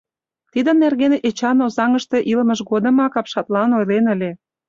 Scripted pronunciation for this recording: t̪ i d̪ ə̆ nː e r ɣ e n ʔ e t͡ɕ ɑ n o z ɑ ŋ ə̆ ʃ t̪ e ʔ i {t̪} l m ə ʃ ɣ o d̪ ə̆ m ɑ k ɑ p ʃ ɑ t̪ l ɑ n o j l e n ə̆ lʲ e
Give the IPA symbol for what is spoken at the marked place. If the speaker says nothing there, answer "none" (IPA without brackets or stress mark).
none